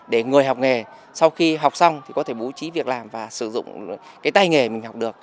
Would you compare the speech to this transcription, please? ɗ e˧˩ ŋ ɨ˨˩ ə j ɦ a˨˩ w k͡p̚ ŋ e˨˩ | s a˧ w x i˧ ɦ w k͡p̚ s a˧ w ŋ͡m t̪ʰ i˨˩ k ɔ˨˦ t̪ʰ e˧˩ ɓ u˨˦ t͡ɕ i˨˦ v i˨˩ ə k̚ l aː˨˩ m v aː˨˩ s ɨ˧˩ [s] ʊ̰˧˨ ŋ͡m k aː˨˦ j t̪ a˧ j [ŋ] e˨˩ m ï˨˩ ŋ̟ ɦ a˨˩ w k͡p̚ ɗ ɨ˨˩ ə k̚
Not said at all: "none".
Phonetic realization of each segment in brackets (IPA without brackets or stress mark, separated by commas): z, ŋ